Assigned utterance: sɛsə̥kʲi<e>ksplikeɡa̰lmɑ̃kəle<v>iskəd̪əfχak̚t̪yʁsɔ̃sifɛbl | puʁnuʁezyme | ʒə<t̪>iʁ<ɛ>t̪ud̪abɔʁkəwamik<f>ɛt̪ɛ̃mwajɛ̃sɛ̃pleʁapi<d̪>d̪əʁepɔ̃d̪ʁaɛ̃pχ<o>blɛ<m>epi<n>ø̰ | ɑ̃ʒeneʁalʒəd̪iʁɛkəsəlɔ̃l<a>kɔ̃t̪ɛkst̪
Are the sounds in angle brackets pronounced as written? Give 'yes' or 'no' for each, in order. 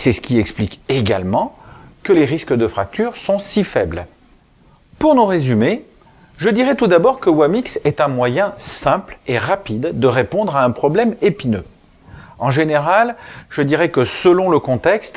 no, no, no, yes, no, yes, no, yes, yes, no

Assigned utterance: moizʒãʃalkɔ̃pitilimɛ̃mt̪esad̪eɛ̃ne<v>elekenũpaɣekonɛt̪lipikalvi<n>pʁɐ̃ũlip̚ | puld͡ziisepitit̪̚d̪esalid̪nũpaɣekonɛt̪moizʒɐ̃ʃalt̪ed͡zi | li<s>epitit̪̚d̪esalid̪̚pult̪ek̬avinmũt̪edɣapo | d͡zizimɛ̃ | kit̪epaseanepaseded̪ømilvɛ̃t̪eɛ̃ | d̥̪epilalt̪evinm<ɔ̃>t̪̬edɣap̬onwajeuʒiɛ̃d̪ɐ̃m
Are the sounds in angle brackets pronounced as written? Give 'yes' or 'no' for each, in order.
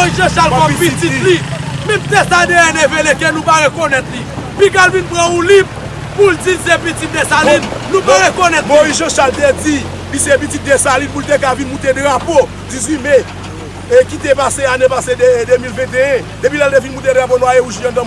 yes, yes, yes, no

